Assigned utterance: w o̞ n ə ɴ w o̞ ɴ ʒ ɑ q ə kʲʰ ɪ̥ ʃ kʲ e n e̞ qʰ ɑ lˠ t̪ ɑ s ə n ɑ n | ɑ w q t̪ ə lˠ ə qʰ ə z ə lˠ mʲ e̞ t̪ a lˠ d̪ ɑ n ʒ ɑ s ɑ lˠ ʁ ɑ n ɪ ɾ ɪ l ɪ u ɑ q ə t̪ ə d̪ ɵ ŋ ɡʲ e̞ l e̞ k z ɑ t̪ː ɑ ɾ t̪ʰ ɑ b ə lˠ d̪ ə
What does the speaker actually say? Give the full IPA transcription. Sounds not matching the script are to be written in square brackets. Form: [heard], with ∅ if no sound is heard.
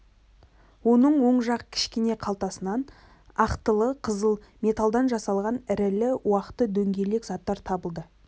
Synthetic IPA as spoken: w o̞ n ə ɴ w o̞ ɴ ʒ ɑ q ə kʲʰ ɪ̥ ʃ kʲ e n e̞ qʰ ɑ lˠ t̪ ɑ s ə n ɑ n | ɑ [∅] q t̪ ə lˠ ə qʰ ə z ə lˠ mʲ e̞ t̪ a lˠ d̪ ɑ n ʒ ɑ s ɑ lˠ ʁ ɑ n ɪ ɾ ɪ l ɪ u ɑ q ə t̪ ə d̪ ɵ ŋ ɡʲ e̞ l e̞ k z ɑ t̪ː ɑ ɾ t̪ʰ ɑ b ə lˠ d̪ ə